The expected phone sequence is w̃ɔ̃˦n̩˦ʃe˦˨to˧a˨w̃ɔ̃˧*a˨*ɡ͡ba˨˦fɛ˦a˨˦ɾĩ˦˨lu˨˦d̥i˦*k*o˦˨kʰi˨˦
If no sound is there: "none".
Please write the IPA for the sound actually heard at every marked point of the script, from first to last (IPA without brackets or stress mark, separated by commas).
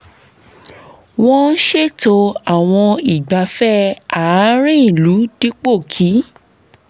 i˨, k͡p